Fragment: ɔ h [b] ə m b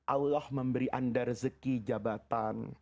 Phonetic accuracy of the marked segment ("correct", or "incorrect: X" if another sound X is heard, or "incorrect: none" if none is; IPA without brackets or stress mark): incorrect: m